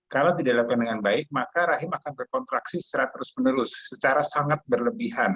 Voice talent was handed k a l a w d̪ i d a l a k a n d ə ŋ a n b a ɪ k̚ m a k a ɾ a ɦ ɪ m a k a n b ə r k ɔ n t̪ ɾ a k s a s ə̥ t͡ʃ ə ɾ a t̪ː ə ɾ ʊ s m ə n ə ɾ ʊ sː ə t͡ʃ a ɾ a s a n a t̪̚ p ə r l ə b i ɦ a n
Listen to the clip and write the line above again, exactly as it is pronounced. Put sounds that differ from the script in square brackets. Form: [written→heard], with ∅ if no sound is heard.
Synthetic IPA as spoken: k a l a w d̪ i d a l a k a n d ə ŋ a n b a ɪ k̚ m a k a ɾ a ɦ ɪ m a k a n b ə r k ɔ n t̪ ɾ a k s [a→i] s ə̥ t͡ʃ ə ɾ a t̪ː ə ɾ ʊ s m ə n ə ɾ ʊ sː ə t͡ʃ a ɾ a s a [n→ŋ] a t̪̚ [p→b] ə r l ə b i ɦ a n